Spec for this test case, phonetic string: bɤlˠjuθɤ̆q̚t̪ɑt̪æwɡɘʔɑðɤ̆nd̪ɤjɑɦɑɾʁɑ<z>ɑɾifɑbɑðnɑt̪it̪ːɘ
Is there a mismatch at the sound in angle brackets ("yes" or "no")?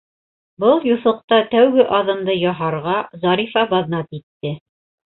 no